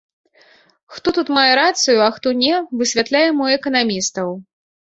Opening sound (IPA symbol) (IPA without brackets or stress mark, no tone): x